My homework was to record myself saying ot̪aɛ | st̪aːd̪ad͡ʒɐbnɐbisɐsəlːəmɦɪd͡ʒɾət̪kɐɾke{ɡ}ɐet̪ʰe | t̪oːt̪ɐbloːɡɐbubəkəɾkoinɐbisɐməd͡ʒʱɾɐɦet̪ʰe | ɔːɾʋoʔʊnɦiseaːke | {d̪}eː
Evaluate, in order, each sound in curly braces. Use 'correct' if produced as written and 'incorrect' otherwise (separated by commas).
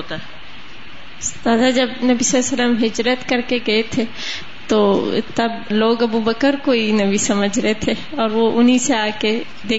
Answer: correct, correct